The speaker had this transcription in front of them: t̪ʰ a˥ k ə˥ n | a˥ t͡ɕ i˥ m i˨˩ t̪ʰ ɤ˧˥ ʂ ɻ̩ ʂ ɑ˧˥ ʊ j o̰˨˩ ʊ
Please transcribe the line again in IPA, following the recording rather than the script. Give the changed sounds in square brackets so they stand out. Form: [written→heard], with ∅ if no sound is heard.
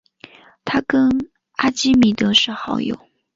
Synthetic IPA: t̪ʰ a˥ k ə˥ n | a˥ t͡ɕ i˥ m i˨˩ [t̪ʰ→t̪] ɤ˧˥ ʂ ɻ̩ [ʂ→x] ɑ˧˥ ʊ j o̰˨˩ ʊ